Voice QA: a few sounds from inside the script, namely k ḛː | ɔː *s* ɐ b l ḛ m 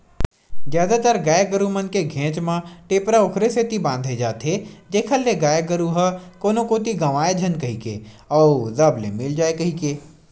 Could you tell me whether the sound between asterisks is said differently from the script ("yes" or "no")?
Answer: yes